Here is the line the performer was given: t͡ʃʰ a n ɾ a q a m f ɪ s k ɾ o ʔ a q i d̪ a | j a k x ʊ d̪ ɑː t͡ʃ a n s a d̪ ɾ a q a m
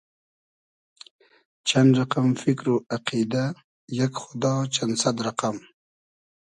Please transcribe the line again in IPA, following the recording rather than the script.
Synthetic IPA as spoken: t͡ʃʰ a n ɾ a q a m f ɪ k ɾ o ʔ a q i d̪ a | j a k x ʊ d̪ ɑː t͡ʃ a n s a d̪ ɾ a q a m